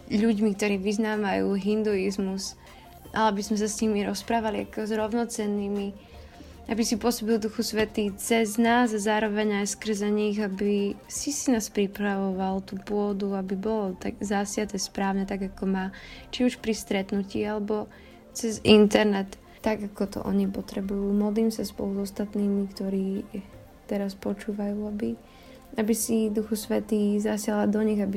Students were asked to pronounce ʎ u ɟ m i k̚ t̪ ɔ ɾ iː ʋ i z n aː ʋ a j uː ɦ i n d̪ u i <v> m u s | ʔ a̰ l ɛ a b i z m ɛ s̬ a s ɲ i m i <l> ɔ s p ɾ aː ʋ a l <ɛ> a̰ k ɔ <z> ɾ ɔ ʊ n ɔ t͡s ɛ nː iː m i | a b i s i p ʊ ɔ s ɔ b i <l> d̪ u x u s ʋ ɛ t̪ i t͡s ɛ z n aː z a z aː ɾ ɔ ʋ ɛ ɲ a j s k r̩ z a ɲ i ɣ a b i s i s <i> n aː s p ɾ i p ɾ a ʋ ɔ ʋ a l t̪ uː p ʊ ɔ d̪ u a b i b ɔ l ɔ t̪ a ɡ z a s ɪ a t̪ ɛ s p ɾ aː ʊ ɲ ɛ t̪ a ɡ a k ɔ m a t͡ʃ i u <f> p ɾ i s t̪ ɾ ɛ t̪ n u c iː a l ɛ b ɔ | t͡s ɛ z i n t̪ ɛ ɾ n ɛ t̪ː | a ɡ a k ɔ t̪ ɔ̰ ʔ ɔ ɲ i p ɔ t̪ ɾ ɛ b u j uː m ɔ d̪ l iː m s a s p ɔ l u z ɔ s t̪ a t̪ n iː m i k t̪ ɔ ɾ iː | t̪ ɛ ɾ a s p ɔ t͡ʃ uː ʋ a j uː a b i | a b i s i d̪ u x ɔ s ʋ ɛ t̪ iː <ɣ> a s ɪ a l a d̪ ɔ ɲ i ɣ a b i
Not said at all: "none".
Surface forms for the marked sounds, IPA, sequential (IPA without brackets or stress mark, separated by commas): z, ɾ, i, z, l, i, ʃ, z